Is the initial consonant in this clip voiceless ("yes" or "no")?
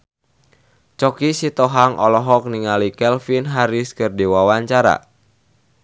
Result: yes